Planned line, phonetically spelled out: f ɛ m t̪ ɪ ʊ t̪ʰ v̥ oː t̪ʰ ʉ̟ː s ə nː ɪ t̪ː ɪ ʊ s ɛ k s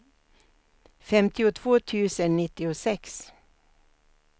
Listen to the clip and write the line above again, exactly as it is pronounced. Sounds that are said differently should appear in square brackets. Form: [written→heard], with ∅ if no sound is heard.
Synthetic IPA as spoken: f ɛ m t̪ ɪ ʊ t̪ʰ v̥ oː t̪ʰ ʉ̟ː s ə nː ɪ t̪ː ɪ ʊ s ɛ k s